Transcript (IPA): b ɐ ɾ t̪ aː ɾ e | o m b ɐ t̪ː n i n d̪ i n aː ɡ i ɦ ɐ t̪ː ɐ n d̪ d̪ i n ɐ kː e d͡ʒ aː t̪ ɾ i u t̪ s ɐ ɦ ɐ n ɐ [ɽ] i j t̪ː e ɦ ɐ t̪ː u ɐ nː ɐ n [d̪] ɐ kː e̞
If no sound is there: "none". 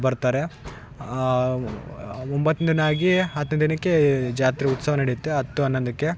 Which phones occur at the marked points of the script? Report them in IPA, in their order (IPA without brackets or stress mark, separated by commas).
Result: ɽ, d̪